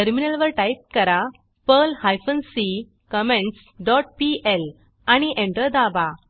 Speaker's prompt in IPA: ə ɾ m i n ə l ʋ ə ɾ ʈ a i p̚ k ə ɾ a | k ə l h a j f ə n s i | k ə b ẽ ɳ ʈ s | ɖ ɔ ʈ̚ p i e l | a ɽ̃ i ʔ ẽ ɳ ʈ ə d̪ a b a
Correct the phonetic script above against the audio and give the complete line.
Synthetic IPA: ə ɾ m i n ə l ʋ ə ɾ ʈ a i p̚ k ə ɾ a | p ə l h a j f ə n s i | k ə m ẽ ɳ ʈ s | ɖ ɔ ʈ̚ p i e l | a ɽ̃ i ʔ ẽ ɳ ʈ ə d̪ a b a

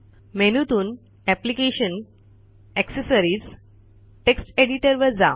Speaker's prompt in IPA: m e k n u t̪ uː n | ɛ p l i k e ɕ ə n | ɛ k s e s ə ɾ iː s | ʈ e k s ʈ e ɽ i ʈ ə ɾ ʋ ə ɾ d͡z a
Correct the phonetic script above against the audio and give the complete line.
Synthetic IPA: m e n u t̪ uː n | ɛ p l i k e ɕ ə n | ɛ k s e s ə ɾ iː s | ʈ e k s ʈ e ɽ i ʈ ə ɾ ʋ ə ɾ d͡z a

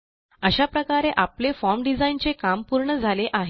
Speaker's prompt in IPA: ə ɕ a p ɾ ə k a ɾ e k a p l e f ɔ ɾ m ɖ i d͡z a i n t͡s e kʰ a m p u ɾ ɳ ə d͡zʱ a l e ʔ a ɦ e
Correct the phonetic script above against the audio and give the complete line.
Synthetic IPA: ə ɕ a p ɾ ə k a ɾ e ʔ a p l e f ɔ ɾ m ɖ i d͡z a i n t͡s e k a m p u ɾ ɳ ə d͡zʱ a l e ʔ a ɦ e

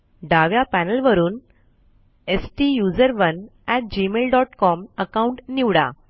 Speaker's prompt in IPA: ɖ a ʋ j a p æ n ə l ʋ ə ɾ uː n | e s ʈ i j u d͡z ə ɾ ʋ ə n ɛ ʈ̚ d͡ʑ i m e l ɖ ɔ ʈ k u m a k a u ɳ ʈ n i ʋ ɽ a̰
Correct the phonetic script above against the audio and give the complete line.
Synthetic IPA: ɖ a ʋ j a p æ n ə l ʋ ə ɾ uː n | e s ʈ i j u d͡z ə ɾ ʋ ə n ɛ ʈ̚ d͡ʑ i m e l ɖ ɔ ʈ k ɔ m ə k a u ɳ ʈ n i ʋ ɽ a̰

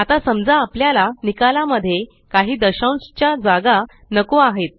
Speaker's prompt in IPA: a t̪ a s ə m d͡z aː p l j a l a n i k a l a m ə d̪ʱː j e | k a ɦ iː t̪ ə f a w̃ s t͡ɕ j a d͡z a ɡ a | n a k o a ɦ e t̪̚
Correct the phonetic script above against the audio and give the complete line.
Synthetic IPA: a t̪ a s ə m d͡z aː p l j a l a n i k a l a m ə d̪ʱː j e | k a ɦ iː d̪ ə ɕ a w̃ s t͡ɕ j a d͡z a ɡ a | n ə k o a ɦ e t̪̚

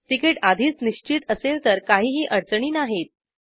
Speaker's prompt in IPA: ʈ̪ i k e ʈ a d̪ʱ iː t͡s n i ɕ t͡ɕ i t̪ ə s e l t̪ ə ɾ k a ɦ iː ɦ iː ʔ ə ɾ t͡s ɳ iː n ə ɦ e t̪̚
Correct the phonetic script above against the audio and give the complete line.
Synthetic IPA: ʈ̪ i k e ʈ a d̪ʱ iː t͡s n i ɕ t͡ɕ i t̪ ə s e l t̪ ə ɾ k a ɦ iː ɦ iː ʔ ə ɾ t͡s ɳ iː n a ɦ e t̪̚

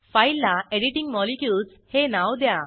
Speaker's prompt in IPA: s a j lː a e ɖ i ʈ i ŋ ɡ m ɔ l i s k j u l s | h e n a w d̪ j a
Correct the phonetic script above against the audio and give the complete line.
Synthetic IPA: f a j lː a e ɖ i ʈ i ŋ ɡ m ɔ l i k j u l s | h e n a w d̪ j a

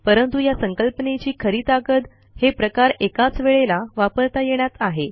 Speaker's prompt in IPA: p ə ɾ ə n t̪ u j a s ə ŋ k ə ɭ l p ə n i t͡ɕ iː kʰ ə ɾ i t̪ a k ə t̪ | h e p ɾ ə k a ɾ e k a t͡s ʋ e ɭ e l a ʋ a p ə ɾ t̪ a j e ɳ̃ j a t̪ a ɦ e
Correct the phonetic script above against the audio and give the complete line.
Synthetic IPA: p ə ɾ ə n t̪ u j a s ə ŋ k ə l p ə n e t͡ɕ iː kʰ ə ɾ iː t̪ a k ə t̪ | h e p ɾ ə k a ɾ e k a t͡s ʋ e ɭ e l a ʋ a p ə ɾ t̪ a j e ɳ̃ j a t̪ a ɦ e

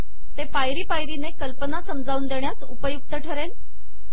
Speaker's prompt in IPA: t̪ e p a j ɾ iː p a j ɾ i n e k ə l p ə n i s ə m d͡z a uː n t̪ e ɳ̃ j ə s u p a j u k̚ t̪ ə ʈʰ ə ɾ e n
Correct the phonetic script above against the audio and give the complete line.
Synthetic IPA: t̪ e p a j ɾ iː p a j ɾ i n e k ə l p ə n a s ə m d͡z a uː n d̪ e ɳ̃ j a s u p ə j u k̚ t̪ ə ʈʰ ə ɾ e n

